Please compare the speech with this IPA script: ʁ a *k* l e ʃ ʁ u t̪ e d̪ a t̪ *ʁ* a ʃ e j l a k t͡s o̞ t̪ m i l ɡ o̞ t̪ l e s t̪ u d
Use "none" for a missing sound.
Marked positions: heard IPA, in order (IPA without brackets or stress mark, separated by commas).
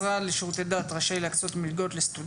none, ʁ